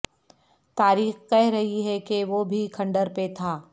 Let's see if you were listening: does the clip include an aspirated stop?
yes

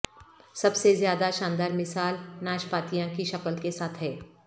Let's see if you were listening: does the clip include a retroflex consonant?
no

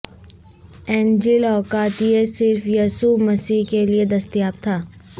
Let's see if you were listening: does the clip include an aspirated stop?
yes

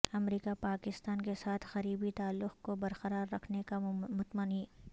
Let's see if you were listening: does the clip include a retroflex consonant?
no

